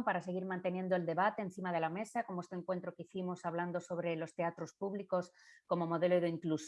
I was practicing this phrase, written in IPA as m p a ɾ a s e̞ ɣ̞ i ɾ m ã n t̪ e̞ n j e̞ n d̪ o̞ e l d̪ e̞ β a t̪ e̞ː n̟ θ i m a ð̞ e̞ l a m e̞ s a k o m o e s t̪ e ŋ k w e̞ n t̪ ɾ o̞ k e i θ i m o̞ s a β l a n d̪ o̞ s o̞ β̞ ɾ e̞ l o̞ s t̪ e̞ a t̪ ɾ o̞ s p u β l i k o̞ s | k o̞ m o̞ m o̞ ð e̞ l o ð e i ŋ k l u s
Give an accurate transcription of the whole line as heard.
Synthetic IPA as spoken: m p a ɾ a s e̞ ɣ̞ i ɾ m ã n t̪ e̞ n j e̞ n d̪ o̞ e l d̪ e̞ β a t̪ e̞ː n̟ θ i m a ð̞ e̞ l a m e̞ s a k o m o e s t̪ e ŋ k w e̞ n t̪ ɾ o̞ k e i θ i m o̞ s a β l a n d̪ o̞ s o̞ β̞ ɾ e̞ l o̞ s t̪ e̞ a t̪ ɾ o̞ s p u β l i k o̞ s | k o̞ m o̞ m o̞ ð e̞ l o ð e i ŋ k l u s